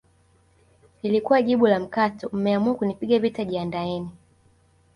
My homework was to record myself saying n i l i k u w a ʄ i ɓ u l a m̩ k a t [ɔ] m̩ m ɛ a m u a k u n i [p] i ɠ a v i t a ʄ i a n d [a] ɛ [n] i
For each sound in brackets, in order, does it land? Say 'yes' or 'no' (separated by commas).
yes, yes, yes, yes